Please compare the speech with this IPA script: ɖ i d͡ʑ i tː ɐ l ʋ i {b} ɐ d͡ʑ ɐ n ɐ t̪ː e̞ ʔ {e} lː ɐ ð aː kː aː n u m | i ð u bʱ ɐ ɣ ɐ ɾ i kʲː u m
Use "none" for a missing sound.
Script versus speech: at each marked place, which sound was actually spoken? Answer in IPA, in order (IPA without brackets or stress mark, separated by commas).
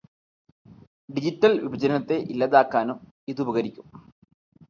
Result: b, i